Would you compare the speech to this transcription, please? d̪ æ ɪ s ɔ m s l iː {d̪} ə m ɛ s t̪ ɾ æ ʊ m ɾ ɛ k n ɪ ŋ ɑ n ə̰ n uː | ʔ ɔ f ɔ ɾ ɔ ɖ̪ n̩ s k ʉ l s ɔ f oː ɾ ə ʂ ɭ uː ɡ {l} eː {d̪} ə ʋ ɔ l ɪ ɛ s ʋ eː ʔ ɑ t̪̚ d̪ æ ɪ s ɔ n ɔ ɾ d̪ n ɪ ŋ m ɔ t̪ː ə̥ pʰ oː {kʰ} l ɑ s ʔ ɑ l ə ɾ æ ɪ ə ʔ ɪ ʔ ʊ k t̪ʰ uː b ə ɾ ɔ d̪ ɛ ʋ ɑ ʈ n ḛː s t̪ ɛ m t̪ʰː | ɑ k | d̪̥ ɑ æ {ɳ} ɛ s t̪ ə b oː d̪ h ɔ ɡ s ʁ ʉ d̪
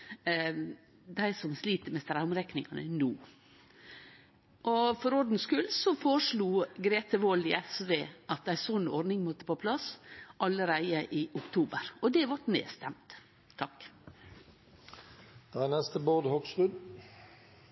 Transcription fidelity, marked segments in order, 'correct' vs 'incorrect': incorrect: t̪, incorrect: ɾ, incorrect: t̪, incorrect: pʰ, incorrect: n

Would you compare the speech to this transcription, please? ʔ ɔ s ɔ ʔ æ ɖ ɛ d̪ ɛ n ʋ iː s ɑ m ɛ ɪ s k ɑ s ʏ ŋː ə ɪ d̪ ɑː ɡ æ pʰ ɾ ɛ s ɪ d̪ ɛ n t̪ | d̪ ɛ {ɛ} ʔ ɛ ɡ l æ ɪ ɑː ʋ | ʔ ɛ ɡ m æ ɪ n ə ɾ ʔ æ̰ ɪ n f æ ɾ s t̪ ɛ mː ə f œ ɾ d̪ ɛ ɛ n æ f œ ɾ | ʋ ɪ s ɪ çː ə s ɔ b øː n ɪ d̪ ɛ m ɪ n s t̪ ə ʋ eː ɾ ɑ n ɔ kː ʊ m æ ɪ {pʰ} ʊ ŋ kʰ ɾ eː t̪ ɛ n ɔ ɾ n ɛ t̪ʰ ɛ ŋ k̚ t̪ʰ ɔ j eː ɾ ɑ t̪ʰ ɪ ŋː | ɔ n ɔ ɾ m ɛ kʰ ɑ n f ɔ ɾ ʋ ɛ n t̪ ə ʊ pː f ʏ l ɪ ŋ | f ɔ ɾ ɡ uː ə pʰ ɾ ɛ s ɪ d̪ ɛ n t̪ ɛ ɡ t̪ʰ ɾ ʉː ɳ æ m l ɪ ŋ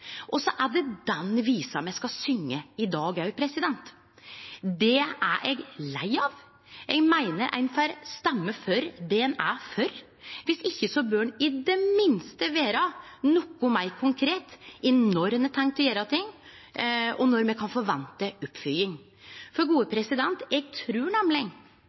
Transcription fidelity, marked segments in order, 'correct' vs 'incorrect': incorrect: æ, incorrect: kʰ

